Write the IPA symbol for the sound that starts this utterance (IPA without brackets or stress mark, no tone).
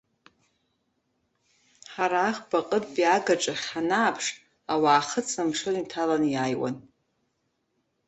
ħ